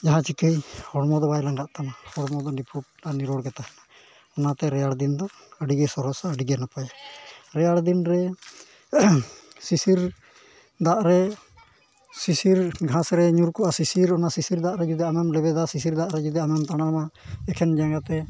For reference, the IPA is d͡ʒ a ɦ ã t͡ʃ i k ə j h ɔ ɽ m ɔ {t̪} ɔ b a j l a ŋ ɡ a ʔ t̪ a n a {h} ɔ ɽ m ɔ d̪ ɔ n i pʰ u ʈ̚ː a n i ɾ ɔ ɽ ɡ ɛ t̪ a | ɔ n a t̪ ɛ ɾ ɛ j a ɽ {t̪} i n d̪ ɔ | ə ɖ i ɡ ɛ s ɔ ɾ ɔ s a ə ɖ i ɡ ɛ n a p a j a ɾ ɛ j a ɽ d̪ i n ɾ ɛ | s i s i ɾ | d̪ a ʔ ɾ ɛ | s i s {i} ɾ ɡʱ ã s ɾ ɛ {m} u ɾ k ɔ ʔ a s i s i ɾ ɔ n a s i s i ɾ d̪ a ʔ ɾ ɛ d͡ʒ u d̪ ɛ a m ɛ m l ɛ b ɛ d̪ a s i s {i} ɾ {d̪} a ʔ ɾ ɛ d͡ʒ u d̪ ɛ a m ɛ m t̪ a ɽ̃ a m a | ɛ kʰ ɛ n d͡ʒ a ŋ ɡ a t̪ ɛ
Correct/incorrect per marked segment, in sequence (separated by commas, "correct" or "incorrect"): incorrect, correct, incorrect, correct, incorrect, correct, correct